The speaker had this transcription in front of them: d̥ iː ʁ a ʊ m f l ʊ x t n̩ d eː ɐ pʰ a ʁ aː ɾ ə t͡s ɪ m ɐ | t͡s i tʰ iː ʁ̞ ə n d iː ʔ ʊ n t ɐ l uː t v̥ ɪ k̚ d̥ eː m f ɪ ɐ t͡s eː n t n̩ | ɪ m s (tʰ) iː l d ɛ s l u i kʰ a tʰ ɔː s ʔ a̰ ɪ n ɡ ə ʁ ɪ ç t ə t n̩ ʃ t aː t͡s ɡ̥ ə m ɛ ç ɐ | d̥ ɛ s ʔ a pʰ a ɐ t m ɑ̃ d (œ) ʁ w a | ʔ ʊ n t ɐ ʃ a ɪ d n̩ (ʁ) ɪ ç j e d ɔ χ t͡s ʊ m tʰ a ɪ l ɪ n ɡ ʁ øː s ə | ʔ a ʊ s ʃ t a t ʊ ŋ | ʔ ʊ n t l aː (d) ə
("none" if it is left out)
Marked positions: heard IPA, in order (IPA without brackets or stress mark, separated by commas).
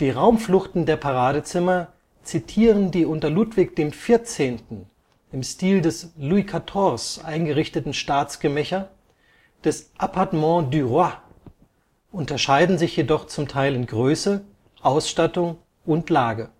t, y, z, ɡ